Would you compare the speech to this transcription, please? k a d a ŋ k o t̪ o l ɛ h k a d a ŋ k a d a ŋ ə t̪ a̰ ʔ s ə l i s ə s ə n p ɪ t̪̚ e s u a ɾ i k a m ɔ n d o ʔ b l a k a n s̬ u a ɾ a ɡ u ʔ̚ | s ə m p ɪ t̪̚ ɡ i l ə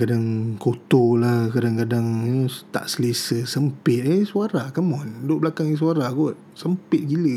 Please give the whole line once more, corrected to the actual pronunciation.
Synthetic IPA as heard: k a d a ŋ k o t̪ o l a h k a d a ŋ k a d a ŋ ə t̪ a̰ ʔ s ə l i s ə s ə m p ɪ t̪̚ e s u a ɾ a k a m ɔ n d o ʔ b l a k a ŋ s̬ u a ɾ a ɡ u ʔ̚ | s ə m p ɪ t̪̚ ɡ i l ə